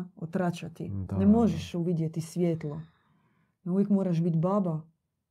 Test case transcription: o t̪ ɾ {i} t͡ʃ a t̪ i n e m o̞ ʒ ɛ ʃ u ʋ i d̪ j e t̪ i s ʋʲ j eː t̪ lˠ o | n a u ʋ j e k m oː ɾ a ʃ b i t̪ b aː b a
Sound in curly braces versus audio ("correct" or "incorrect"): incorrect